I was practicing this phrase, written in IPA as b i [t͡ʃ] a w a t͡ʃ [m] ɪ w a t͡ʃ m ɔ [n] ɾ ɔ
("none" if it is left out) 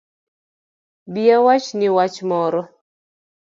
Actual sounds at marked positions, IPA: none, n, none

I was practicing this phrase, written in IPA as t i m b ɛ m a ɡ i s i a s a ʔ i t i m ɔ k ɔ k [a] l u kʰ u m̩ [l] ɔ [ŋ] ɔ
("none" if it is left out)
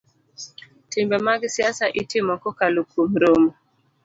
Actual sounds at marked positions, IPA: a, ɾ, m

